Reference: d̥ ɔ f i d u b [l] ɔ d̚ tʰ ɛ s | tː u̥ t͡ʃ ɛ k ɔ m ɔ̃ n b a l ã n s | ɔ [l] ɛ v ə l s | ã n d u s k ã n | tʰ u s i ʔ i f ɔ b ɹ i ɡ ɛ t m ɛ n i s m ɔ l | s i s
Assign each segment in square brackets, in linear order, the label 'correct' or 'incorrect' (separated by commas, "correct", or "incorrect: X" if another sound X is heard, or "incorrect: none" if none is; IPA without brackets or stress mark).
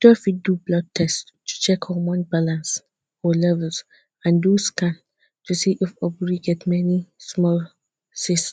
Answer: correct, correct